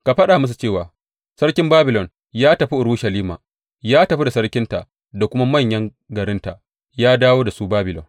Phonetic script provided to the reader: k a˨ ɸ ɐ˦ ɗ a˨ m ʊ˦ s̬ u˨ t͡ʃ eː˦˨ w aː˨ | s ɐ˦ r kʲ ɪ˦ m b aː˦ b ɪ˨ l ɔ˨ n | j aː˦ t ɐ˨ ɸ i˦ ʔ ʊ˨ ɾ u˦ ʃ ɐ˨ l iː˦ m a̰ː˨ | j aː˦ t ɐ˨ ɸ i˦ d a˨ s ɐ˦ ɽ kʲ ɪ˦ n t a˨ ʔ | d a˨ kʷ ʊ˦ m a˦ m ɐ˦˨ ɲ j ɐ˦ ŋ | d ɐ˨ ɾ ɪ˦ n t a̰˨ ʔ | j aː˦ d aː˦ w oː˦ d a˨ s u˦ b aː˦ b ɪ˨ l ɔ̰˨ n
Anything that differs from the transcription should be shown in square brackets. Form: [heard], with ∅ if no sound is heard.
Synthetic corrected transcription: k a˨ ɸ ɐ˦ ɗ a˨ m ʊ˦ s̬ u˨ t͡ʃ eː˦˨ w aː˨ | s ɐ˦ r kʲ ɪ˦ m b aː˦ b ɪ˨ l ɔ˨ n | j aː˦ t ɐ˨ ɸ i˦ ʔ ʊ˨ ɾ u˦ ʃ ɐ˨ l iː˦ m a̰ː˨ | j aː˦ t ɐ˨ ɸ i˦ d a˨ s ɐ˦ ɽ kʲ ɪ˦ n t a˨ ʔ | d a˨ kʷ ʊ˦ m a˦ m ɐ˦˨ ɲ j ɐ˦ ŋ | [ɡ] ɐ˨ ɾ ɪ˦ n t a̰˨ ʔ | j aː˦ d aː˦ w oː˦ d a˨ s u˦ b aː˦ b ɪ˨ l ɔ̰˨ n